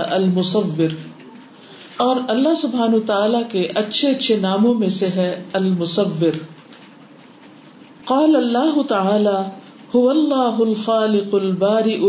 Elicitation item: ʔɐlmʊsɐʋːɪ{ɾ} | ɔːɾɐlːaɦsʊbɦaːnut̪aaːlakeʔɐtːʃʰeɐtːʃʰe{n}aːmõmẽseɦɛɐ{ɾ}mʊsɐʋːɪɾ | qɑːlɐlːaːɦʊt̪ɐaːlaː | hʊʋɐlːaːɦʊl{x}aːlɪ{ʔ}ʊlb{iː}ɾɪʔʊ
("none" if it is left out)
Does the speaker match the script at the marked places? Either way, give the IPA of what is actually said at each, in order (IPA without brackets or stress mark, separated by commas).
ɾ, n, l, x, q, aː